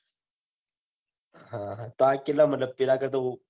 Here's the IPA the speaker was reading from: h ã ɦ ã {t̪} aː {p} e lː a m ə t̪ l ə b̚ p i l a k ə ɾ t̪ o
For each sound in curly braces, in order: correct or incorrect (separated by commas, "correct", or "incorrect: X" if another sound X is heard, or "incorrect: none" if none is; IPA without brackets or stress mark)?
correct, incorrect: k